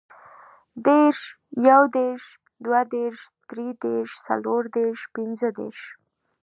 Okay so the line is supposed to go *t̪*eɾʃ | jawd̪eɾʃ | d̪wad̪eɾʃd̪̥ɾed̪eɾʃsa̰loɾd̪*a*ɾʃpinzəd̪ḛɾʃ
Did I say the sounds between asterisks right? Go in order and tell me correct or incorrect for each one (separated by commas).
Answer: incorrect, incorrect